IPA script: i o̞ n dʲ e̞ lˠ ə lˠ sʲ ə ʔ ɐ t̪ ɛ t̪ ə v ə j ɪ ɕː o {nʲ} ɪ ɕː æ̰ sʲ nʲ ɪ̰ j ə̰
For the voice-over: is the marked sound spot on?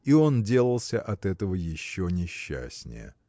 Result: yes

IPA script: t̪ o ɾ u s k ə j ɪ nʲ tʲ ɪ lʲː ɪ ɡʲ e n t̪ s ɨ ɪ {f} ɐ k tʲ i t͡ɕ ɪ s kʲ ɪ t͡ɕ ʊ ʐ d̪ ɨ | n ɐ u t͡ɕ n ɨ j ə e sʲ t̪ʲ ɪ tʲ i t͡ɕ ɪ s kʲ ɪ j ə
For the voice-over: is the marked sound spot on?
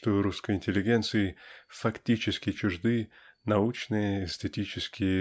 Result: yes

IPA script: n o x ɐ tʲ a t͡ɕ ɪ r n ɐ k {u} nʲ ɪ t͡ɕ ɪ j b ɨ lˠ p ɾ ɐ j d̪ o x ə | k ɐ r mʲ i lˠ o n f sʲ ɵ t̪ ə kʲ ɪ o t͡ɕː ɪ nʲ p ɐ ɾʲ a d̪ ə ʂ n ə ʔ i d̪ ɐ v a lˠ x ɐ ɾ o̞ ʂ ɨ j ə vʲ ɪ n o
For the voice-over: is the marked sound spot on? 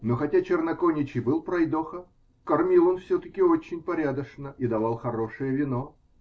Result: no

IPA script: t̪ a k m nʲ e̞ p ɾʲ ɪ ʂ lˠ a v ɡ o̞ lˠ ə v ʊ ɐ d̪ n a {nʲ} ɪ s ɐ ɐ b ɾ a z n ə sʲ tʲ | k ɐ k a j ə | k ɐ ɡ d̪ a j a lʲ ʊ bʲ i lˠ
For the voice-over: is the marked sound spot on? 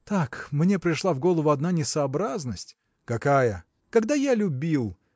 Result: yes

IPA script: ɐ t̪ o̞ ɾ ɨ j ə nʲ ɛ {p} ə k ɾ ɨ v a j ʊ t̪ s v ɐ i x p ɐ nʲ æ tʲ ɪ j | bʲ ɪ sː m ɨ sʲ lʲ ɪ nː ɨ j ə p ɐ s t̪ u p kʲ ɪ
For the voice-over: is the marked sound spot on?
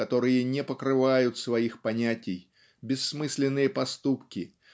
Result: yes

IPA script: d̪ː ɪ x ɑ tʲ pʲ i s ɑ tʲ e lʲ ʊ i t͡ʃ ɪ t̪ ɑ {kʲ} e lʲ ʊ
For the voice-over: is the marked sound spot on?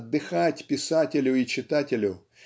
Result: no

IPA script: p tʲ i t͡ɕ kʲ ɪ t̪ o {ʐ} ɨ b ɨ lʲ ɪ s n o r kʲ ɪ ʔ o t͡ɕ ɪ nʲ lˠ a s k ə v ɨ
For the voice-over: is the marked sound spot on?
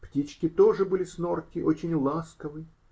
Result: yes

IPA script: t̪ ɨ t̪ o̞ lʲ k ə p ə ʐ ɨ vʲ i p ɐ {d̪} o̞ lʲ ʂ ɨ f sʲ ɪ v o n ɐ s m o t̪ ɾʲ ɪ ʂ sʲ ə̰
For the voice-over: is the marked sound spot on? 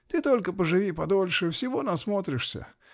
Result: yes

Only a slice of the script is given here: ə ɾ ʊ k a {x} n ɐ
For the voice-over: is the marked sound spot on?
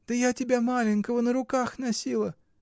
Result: yes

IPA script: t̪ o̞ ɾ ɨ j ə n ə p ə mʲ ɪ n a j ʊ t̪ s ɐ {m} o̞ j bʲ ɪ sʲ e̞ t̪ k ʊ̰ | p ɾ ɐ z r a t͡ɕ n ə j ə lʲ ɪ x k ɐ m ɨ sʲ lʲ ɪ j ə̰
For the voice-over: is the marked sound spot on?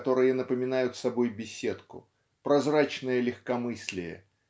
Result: no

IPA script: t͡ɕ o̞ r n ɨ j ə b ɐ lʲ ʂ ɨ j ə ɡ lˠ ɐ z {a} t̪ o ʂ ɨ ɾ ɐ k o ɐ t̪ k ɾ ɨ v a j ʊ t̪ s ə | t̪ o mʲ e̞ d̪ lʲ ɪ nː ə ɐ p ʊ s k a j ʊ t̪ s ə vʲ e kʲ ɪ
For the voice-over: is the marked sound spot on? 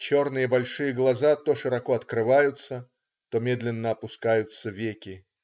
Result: yes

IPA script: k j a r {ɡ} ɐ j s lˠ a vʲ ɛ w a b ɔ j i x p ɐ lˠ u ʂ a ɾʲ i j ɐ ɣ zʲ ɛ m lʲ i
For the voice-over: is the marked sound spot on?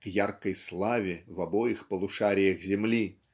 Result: no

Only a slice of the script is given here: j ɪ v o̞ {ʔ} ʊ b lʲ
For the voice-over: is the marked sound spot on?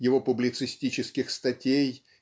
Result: no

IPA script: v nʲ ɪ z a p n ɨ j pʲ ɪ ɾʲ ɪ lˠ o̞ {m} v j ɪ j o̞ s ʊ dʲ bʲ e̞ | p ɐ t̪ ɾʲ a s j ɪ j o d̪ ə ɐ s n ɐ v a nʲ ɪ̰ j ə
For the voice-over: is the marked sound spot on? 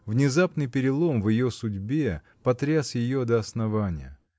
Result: yes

